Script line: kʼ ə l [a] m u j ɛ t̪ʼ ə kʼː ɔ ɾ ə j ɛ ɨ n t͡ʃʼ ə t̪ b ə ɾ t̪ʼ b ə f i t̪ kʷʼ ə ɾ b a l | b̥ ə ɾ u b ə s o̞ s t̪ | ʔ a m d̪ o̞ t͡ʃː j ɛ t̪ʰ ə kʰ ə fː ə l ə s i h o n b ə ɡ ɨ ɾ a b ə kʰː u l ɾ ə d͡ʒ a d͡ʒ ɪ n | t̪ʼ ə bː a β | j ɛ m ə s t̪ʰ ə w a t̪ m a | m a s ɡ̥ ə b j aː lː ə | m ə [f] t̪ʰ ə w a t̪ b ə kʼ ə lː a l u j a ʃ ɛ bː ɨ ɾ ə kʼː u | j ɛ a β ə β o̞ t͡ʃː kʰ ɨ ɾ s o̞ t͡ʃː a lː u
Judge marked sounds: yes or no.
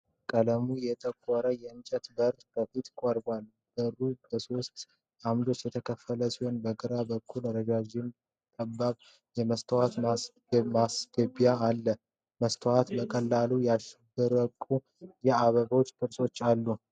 no, no

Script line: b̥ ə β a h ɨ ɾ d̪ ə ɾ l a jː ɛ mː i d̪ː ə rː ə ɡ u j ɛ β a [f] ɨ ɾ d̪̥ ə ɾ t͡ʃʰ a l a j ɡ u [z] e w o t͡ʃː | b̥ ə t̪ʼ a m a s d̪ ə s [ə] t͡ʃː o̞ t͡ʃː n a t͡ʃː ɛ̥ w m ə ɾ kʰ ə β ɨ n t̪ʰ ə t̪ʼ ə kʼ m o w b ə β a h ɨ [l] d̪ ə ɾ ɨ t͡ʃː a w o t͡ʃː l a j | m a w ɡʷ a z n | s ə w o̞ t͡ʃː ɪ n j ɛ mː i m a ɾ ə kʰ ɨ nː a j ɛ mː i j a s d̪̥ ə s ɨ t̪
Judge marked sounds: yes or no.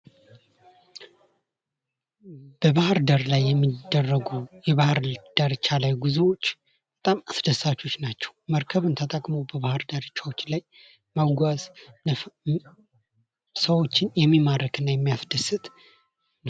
no, yes, no, no

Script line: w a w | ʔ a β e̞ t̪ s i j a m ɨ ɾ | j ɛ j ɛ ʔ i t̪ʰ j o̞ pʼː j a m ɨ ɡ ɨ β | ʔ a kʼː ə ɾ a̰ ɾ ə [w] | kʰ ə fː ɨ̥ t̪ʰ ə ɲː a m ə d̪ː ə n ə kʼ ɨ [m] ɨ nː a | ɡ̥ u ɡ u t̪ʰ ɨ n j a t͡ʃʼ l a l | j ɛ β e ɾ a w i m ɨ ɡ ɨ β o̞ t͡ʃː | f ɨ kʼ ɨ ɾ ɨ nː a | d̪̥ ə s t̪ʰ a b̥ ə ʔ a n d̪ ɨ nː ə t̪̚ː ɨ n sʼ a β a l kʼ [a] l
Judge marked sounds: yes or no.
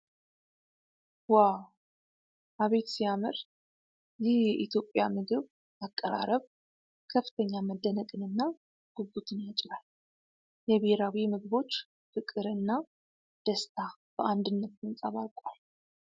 no, no, yes

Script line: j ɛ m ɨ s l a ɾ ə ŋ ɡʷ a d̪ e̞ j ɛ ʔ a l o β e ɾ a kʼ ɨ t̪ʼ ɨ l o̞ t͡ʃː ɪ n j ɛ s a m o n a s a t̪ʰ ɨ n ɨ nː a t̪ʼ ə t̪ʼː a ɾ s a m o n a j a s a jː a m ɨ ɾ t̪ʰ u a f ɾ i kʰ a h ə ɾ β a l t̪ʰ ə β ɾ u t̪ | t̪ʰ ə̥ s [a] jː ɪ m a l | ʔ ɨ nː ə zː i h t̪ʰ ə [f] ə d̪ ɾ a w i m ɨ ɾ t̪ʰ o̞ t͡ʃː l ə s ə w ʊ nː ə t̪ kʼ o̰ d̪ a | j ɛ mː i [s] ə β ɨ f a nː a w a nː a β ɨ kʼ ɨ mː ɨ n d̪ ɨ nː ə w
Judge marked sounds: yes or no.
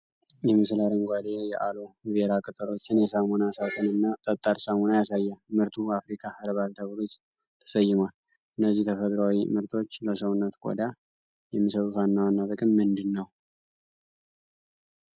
no, yes, yes

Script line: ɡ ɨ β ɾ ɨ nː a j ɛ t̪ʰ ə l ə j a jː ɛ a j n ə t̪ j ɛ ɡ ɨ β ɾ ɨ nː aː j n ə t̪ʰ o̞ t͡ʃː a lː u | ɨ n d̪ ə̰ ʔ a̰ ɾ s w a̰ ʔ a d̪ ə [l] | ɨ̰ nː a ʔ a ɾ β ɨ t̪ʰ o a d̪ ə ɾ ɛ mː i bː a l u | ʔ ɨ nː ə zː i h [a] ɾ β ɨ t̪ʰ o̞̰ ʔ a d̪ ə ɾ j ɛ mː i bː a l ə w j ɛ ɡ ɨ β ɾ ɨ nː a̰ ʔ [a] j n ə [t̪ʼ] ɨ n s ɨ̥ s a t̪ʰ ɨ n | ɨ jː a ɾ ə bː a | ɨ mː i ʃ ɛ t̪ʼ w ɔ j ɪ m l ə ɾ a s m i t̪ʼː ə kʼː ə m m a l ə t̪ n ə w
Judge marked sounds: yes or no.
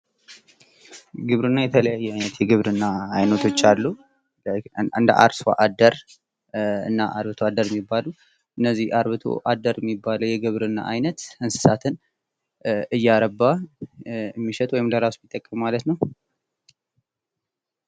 no, yes, yes, no

